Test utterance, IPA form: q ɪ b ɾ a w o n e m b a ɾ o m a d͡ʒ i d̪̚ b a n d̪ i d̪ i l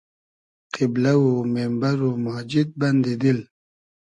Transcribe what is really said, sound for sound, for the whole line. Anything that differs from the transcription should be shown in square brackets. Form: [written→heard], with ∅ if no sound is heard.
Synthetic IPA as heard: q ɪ b [ɾ→l] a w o [n→m] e m b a ɾ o m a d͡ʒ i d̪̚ b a n d̪ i d̪ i l